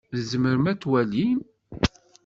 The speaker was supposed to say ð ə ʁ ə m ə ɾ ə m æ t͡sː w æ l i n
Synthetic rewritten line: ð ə z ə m ə ɾ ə m æ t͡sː w æ l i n